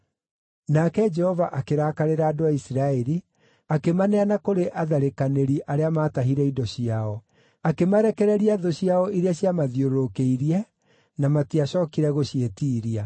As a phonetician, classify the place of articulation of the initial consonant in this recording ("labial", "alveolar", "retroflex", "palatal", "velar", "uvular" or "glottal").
alveolar